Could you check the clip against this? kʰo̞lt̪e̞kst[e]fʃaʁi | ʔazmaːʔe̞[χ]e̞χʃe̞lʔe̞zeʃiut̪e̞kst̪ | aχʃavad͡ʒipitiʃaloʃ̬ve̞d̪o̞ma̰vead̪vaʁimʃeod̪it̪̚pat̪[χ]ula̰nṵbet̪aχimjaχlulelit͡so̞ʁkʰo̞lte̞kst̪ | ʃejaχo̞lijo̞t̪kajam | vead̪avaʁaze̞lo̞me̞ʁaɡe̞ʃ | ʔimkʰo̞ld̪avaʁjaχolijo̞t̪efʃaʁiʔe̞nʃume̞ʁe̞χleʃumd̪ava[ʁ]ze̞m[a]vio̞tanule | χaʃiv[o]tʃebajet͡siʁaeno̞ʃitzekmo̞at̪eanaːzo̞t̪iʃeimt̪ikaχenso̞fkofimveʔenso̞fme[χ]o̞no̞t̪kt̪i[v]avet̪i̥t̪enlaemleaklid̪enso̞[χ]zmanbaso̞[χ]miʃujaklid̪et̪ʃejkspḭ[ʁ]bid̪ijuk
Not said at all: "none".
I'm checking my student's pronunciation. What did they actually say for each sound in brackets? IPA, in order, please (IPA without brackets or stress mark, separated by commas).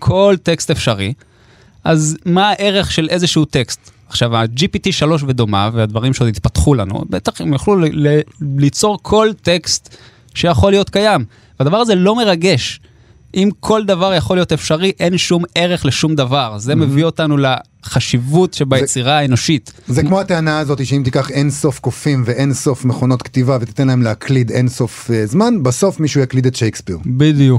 e, ʁ, χ, ʁ, e, u, χ, v, f, f, ʁ